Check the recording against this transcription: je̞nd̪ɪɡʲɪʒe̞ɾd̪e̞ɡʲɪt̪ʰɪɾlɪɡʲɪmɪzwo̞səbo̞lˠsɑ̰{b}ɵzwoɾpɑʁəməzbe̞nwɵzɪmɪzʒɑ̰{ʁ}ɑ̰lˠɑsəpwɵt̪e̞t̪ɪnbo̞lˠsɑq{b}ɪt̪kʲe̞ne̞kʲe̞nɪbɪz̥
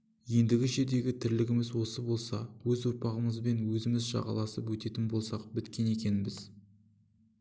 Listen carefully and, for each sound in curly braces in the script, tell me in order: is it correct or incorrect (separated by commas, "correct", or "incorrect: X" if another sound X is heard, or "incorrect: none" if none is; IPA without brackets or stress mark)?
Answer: incorrect: w, correct, correct